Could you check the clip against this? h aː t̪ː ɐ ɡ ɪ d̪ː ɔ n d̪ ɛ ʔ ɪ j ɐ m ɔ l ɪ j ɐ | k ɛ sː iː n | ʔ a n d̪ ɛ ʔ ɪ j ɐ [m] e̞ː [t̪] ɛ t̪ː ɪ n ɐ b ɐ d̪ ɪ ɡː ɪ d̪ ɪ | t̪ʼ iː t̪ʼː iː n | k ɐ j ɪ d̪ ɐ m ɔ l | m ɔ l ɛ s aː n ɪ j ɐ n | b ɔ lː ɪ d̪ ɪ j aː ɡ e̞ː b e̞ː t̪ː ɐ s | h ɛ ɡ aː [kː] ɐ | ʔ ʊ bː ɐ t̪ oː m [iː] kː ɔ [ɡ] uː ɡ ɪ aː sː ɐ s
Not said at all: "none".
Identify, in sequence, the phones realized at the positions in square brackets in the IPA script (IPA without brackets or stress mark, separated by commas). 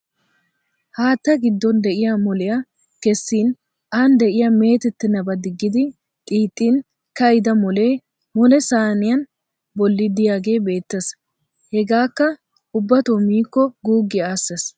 m, t̪, kː, iː, ɡ